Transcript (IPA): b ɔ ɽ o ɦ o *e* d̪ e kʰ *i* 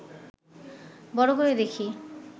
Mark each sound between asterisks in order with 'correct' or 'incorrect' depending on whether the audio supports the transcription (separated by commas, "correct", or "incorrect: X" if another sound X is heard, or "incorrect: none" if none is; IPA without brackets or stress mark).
correct, correct